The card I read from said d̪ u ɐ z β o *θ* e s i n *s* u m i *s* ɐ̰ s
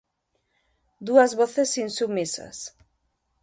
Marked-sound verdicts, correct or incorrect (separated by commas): correct, correct, correct